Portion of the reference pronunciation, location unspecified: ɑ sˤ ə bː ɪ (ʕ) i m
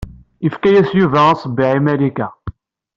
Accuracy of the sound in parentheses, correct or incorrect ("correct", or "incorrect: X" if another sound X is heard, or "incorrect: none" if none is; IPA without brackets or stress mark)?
correct